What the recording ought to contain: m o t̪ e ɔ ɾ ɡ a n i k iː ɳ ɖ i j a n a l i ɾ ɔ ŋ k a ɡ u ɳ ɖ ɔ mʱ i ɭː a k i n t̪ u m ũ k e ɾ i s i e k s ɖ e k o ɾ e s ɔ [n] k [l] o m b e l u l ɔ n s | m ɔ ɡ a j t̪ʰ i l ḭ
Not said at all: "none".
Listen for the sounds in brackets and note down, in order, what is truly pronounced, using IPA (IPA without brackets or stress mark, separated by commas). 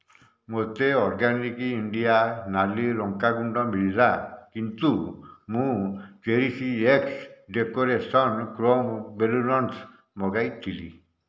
n, ɾ